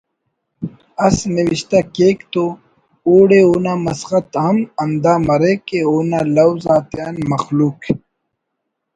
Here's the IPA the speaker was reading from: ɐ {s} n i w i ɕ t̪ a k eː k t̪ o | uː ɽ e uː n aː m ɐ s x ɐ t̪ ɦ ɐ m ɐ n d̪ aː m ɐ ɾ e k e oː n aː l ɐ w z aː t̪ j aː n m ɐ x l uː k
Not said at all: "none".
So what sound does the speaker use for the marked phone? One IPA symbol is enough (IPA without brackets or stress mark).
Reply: s